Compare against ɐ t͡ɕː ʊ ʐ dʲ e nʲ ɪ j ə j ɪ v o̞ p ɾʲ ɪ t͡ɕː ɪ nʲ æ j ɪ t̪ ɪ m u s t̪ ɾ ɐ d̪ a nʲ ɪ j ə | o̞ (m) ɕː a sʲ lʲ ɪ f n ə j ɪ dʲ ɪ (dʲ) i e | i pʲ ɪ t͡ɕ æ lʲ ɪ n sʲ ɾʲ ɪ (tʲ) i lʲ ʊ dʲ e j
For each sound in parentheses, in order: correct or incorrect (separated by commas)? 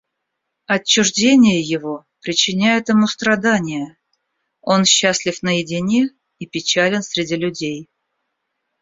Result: incorrect, incorrect, incorrect